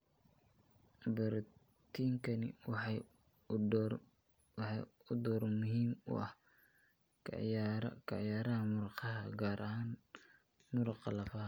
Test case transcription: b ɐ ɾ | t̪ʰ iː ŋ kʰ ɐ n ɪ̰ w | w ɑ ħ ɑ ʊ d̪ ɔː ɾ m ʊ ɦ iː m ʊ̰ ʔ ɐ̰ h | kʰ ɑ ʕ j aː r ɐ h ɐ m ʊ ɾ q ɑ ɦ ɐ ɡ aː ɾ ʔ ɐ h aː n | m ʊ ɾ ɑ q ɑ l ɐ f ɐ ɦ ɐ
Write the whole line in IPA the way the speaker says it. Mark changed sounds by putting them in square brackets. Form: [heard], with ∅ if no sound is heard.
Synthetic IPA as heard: b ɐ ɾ | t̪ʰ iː ŋ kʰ ɐ n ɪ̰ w | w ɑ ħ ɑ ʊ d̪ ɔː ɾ m ʊ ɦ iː m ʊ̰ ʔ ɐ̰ h | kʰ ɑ ʕ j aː [ɾ] ɐ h ɐ m ʊ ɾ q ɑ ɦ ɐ ɡ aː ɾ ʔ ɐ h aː n | m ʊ ɾ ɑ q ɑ l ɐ f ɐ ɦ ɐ